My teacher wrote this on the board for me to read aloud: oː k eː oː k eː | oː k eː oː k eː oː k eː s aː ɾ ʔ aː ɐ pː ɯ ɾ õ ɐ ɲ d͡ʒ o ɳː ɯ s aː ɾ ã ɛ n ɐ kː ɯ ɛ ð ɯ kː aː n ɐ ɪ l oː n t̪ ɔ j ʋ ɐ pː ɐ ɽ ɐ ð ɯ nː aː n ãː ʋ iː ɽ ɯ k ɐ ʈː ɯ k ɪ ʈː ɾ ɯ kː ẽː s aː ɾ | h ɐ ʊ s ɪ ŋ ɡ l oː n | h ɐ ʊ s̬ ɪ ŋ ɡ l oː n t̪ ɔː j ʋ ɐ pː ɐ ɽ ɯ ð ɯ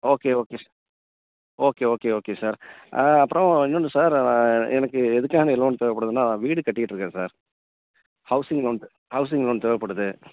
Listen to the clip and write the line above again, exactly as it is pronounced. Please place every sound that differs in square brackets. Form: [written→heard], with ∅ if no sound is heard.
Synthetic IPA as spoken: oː k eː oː k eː | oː k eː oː k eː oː k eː s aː ɾ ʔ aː ɐ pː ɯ ɾ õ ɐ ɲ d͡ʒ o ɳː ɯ s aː ɾ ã ɛ n ɐ kː ɯ ɛ ð ɯ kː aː n ɐ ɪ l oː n t̪ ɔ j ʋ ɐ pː ɐ ɽ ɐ ð ɯ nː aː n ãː ʋ iː ɽ ɯ k ɐ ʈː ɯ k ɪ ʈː ɾ ɯ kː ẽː s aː ɾ | h ɐ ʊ s ɪ ŋ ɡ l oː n | h ɐ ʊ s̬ ɪ ŋ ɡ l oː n t̪ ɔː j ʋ ɐ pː ɐ ɽ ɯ ð ɯ